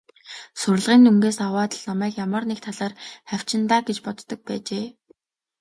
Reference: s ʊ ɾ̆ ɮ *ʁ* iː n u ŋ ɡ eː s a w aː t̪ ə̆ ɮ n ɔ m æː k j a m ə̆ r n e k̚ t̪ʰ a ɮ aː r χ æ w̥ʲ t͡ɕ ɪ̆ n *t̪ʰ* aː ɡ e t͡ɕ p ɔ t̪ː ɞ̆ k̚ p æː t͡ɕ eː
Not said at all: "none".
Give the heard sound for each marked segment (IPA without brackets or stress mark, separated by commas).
ʁ, t̪